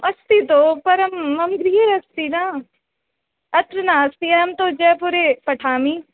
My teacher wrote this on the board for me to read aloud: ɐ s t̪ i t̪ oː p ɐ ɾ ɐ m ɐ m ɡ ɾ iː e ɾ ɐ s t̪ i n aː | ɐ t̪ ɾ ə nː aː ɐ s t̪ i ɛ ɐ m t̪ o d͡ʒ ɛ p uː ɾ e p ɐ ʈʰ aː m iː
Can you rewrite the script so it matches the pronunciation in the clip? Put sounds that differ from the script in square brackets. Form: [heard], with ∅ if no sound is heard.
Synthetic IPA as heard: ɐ s t̪ i t̪ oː p ɐ ɾ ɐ m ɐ m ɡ ɾ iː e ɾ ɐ s t̪ i n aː | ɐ t̪ ɾ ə [n] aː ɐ s t̪ i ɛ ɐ m t̪ o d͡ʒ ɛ p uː ɾ e p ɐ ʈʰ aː m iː